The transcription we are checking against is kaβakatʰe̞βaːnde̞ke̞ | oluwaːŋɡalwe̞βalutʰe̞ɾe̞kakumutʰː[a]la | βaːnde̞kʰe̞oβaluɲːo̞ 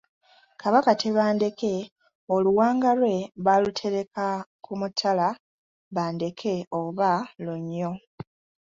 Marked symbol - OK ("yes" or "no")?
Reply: yes